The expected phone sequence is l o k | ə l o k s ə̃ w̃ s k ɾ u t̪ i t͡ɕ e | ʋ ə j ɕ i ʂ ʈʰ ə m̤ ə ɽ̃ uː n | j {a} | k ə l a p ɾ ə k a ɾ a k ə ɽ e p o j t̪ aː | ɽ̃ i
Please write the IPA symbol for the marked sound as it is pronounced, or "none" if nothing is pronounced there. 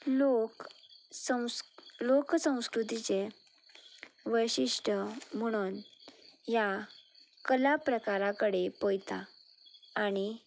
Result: a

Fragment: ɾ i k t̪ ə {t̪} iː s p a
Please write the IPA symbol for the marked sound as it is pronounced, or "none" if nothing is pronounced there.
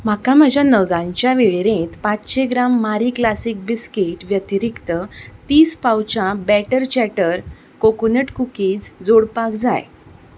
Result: t̪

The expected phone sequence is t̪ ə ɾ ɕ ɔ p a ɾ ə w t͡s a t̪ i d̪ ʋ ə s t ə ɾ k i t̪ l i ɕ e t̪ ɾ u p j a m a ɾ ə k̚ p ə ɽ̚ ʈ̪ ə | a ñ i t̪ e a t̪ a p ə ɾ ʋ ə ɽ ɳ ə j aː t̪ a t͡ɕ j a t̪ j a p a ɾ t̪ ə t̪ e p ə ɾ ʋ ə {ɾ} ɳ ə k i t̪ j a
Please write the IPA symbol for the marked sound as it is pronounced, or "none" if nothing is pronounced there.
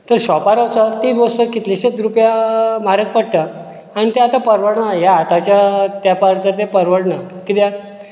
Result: ɽ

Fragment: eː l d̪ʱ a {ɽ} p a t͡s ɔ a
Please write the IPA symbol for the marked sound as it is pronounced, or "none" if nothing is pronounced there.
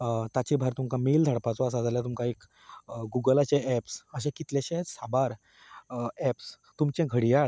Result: ɽ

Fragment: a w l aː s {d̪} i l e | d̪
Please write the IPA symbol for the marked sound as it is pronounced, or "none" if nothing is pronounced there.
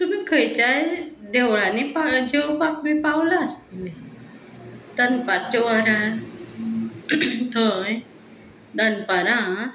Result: t̪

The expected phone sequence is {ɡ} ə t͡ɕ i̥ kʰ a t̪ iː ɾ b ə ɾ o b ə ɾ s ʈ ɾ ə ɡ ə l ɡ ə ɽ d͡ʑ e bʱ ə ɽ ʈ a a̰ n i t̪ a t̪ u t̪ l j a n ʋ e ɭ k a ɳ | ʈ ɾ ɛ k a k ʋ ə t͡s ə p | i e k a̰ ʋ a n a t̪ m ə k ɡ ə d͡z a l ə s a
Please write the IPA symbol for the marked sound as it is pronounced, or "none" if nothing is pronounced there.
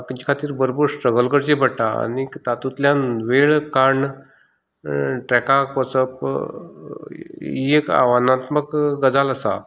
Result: k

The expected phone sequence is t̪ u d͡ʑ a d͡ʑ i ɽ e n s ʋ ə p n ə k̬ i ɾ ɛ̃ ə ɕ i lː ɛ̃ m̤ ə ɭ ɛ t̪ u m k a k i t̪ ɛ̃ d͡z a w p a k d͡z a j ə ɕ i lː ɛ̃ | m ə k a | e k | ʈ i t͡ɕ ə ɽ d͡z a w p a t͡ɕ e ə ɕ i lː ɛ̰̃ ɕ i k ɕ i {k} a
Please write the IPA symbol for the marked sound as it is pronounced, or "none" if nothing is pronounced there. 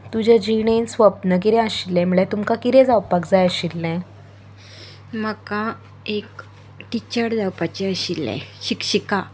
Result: k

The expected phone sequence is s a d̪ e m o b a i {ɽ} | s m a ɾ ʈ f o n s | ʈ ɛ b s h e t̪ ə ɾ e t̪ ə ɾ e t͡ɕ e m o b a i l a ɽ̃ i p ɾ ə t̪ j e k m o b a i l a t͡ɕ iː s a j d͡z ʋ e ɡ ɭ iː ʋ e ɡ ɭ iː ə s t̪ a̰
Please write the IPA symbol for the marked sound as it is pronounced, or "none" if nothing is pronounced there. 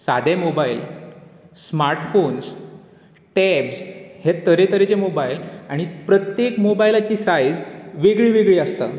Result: l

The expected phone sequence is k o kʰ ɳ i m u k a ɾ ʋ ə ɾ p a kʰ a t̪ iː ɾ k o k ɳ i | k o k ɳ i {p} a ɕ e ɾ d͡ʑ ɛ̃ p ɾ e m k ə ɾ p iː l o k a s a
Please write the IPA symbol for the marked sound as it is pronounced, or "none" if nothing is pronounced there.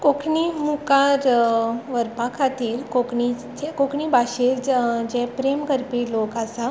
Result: b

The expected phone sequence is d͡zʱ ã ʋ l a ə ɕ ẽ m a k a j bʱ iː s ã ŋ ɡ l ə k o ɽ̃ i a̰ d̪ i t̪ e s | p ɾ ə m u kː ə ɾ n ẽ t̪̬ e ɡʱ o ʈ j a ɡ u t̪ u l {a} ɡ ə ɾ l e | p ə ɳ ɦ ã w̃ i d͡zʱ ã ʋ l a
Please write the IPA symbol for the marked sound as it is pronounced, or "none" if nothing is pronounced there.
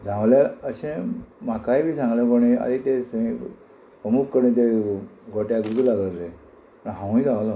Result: a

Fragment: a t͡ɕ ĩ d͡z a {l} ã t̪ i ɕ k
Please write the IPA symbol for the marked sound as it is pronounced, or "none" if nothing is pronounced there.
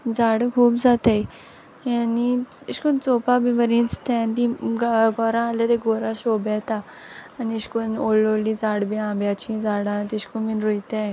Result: ɽ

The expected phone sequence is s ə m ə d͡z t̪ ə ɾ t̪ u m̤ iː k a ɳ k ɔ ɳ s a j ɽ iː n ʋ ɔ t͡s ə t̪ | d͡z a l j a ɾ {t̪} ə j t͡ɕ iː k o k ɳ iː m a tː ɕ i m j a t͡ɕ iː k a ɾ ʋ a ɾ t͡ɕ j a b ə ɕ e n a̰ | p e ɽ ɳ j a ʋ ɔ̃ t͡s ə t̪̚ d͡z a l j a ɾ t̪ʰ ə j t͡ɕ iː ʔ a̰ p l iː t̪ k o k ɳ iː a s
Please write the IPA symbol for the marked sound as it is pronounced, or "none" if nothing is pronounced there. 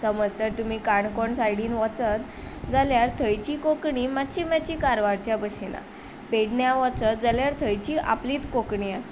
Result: t̪ʰ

